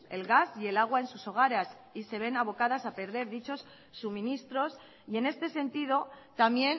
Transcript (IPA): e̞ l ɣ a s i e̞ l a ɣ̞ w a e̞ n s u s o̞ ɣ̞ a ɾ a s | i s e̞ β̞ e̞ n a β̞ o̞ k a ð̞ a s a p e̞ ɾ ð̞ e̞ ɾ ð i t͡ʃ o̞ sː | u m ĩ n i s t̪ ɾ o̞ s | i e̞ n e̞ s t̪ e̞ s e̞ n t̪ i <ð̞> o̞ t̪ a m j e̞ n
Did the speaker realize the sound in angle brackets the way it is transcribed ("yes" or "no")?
yes